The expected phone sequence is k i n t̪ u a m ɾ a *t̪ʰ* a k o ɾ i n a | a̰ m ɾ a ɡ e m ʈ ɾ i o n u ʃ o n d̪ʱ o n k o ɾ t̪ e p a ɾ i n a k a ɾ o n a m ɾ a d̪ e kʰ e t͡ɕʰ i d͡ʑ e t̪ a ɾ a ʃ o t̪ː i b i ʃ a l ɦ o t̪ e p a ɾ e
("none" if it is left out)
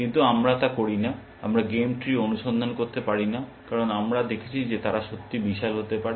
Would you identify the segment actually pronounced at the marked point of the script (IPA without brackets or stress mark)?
t̪